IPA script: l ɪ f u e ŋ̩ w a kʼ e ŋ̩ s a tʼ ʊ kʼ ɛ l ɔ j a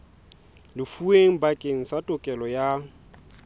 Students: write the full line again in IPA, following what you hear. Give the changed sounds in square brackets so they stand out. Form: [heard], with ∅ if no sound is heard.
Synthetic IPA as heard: l ɪ f u e ŋ̩ [b] a kʼ e ŋ̩ s a tʼ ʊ kʼ ɛ l ɔ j a